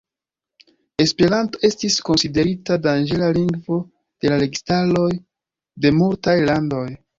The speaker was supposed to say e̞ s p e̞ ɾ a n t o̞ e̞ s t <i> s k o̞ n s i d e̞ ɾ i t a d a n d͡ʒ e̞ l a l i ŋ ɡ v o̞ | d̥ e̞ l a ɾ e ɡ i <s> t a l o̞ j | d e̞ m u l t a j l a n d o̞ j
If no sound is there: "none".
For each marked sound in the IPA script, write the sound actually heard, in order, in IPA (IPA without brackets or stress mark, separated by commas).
i, s